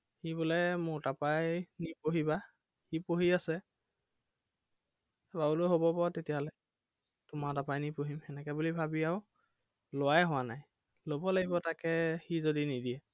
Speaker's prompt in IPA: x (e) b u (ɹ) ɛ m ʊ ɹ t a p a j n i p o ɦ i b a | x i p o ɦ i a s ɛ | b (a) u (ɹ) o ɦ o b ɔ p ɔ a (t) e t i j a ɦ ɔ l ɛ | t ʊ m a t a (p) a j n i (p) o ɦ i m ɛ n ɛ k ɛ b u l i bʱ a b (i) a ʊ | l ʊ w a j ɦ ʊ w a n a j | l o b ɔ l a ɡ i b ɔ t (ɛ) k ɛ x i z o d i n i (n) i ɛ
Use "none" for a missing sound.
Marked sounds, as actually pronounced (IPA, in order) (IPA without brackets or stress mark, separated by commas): i, l, a, l, t, p, p, i, a, d